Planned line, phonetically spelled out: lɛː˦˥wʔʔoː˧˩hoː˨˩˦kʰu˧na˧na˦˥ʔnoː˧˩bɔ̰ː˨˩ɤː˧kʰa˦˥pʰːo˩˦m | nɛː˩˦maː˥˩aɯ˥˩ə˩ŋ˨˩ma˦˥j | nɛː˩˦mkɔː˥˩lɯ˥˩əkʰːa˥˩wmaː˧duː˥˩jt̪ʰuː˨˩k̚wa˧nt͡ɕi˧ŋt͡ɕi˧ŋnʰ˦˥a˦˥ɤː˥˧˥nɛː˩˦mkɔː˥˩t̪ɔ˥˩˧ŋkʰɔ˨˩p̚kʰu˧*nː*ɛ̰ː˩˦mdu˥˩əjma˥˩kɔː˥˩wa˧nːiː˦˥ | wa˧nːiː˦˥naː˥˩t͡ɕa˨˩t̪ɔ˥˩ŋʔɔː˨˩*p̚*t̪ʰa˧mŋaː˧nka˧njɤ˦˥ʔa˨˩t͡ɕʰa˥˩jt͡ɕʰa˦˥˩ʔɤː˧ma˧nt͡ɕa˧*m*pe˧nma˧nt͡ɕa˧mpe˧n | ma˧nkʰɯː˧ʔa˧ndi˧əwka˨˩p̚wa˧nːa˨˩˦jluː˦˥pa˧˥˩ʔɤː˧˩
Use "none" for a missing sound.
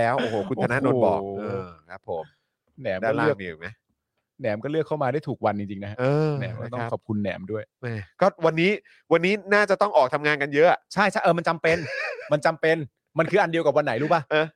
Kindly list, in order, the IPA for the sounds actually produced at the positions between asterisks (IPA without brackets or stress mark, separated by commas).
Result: nː, k̚, m